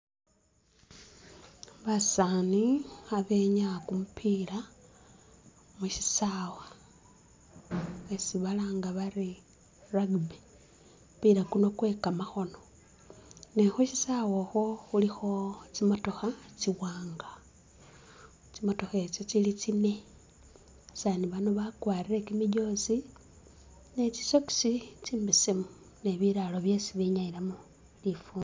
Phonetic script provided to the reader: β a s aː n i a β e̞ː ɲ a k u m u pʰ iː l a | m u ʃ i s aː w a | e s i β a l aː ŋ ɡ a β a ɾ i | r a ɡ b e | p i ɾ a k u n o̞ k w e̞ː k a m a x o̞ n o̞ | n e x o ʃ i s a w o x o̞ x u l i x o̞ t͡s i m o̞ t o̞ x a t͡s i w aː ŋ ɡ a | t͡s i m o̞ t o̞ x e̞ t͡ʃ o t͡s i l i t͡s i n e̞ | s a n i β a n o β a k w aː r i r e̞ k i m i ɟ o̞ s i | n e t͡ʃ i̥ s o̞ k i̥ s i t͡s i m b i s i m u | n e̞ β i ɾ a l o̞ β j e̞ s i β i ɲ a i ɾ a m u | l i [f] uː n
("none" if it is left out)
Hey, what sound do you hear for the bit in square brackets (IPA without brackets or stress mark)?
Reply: f